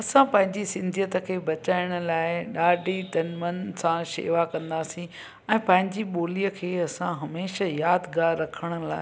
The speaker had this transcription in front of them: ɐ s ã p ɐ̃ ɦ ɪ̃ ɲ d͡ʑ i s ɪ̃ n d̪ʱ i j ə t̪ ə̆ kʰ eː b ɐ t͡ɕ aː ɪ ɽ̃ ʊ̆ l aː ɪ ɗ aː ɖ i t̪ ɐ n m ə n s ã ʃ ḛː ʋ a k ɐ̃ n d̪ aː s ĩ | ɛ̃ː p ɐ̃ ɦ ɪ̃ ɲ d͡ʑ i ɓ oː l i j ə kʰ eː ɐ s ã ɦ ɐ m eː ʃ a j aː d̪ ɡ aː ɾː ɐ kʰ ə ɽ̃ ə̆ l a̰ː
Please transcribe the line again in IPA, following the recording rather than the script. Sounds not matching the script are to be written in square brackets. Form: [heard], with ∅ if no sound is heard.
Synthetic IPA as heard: ɐ s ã p ɐ̃ ɦ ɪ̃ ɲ d͡ʑ i s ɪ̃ n d̪ʱ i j ə t̪ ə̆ kʰ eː b ɐ t͡ɕ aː ɪ ɽ̃ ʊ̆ l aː ɪ ɗ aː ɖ i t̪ ɐ n m ə n s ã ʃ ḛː ʋ a k ɐ̃ n d̪ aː s ĩ | ɛ̃ː p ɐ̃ ɦ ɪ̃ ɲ d͡ʑ i ɓ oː l i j ə kʰ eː ɐ s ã ɦ ɐ m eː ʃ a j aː d̪ ɡ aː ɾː ɐ kʰ ə ɽ̃ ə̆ l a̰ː

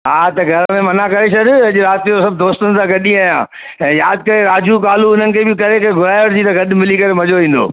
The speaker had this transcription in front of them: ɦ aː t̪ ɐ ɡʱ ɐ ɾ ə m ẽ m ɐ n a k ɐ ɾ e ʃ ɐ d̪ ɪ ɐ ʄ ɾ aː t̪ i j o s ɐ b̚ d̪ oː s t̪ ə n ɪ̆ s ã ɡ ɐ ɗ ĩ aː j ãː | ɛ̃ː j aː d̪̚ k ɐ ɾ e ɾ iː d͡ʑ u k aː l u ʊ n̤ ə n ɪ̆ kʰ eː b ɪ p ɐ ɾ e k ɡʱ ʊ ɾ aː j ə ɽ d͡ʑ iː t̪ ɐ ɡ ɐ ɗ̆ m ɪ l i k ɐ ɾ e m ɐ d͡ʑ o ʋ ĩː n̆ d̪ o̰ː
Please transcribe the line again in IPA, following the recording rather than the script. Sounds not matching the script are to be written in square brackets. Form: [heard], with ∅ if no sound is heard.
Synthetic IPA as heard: ɦ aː t̪ ɐ ɡʱ ɐ ɾ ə m ẽ m ɐ n a k ɐ ɾ e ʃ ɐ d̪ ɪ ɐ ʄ ɾ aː t̪ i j o s ɐ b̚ d̪ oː s t̪ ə n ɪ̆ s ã ɡ ɐ ɗ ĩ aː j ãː | ɛ̃ː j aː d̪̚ k ɐ ɾ e ɾ [aː] d͡ʑ u k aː l u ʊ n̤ ə n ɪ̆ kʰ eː b ɪ [k] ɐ ɾ e k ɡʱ ʊ ɾ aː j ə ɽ d͡ʑ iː t̪ ɐ ɡ ɐ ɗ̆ m ɪ l i k ɐ ɾ e m ɐ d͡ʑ o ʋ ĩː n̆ d̪ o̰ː

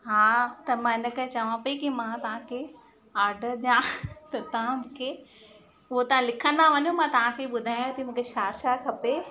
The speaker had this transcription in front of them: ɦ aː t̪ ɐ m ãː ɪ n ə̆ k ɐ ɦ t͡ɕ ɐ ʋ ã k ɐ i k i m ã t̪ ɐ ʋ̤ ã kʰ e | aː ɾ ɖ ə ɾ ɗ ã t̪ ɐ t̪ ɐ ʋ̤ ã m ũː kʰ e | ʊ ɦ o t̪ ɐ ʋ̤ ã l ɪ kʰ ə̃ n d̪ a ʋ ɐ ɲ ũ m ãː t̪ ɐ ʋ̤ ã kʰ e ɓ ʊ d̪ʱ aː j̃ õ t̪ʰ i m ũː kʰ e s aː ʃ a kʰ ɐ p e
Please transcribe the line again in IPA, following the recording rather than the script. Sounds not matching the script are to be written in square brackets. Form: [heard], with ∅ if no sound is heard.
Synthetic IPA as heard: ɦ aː t̪ ɐ m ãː ɪ n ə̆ k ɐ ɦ t͡ɕ ɐ ʋ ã [p] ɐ i k i m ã t̪ ɐ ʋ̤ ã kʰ e | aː ɾ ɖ ə ɾ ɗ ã t̪ ɐ t̪ ɐ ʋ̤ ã m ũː kʰ e | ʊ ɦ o t̪ ɐ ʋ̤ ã l ɪ kʰ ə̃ n d̪ a ʋ ɐ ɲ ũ m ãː t̪ ɐ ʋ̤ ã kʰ e ɓ ʊ d̪ʱ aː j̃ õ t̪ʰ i m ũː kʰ e [ʃ] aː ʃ a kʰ ɐ p e

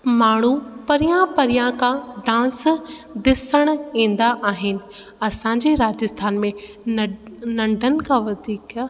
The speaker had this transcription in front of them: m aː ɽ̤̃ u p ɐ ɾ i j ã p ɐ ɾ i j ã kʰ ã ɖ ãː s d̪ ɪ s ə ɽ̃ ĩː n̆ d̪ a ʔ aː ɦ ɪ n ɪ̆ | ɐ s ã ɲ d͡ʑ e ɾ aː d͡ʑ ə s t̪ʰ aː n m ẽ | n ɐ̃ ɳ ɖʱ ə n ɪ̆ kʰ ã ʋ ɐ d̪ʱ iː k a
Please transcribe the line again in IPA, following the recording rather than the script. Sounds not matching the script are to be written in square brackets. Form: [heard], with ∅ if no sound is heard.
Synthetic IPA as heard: m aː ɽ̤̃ u p ɐ ɾ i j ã p ɐ ɾ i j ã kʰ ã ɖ ãː s d̪ ɪ s ə ɽ̃ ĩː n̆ d̪ a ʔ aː ɦ ɪ n ɪ̆ | ɐ s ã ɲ d͡ʑ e ɾ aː d͡ʑ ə s t̪ʰ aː n m ẽ | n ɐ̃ ɳ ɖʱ ə n ɪ̆ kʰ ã ʋ ɐ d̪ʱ iː k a

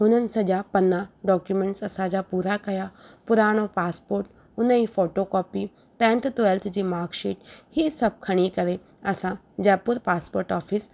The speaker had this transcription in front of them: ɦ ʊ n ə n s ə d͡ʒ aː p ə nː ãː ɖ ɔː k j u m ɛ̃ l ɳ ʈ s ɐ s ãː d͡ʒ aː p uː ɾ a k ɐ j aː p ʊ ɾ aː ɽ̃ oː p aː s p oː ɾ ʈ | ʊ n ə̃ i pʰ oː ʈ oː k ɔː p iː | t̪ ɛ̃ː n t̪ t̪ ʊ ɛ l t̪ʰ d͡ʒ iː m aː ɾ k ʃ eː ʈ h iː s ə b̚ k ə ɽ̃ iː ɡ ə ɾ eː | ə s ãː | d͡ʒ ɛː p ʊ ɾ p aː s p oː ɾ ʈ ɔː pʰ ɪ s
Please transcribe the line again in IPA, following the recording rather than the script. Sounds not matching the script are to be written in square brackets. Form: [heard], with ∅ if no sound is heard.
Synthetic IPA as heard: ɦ ʊ n ə n s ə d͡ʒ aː p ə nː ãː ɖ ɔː k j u m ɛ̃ [∅] ɳ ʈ s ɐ s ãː d͡ʒ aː p uː ɾ a k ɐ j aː p ʊ ɾ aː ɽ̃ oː p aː s p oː ɾ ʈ | ʊ n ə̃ i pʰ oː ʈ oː k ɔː p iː | t̪ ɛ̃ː n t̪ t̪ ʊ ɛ l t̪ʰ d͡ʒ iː m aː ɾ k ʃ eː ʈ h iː s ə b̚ [kʰ] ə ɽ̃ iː [k] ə ɾ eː | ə s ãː | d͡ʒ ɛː p ʊ ɾ p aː s p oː ɾ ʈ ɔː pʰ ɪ s

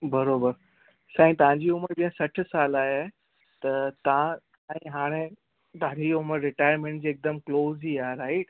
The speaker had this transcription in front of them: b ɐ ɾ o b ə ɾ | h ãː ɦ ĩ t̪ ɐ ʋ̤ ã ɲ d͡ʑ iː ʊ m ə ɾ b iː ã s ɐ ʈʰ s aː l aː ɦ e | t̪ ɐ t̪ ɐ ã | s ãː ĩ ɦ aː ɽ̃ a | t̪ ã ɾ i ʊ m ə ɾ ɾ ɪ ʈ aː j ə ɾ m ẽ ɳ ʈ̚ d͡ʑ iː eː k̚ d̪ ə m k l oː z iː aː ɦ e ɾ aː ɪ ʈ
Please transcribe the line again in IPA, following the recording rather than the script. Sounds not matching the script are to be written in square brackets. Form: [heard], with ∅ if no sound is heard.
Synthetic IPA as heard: b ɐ ɾ o b ə ɾ | [s] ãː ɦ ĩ t̪ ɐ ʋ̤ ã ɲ d͡ʑ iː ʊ m ə ɾ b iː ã s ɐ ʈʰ s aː l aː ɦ e | t̪ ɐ t̪ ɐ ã | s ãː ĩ ɦ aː ɽ̃ [e] | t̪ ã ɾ i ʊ m ə ɾ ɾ ɪ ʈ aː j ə ɾ m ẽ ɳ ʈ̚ d͡ʑ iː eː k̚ d̪ ə m k l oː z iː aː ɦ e ɾ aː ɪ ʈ

